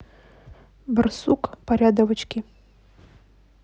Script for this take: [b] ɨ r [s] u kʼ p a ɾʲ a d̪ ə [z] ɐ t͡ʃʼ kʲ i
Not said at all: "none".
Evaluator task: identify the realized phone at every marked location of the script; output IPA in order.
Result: b, s, v

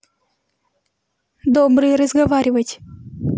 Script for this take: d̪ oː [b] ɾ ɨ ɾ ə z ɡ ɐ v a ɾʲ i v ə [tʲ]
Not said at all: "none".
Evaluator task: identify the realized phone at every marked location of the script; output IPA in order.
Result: b, tʲ

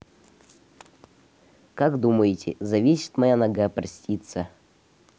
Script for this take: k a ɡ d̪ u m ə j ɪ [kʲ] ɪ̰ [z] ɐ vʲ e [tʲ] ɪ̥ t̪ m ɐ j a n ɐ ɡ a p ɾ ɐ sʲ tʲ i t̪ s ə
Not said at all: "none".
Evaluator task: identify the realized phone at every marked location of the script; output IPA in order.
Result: tʲ, z, sʲ

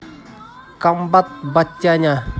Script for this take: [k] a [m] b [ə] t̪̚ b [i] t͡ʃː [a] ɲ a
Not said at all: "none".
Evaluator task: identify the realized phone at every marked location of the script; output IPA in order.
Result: k, m, a, a, a

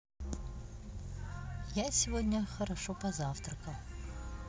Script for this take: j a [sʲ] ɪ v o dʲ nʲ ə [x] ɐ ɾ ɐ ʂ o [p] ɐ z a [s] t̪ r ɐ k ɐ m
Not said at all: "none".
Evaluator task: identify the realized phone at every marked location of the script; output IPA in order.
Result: sʲ, x, p, f

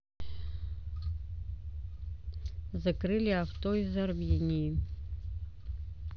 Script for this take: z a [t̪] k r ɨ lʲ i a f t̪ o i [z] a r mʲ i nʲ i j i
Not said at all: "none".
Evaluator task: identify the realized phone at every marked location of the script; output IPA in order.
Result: none, z

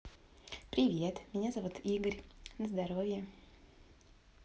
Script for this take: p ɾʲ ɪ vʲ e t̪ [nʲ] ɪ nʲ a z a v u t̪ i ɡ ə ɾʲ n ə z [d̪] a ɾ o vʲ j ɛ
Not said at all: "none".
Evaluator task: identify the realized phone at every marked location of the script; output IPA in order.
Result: mʲ, d̪

